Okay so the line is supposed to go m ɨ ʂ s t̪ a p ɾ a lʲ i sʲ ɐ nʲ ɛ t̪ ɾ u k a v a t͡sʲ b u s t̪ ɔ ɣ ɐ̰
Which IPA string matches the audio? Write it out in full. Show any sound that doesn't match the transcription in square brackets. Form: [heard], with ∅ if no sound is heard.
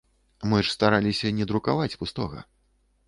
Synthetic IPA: m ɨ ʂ s t̪ a [∅] ɾ a lʲ i sʲ ɐ nʲ ɛ [d̪] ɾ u k a v a t͡sʲ [p] u s t̪ ɔ ɣ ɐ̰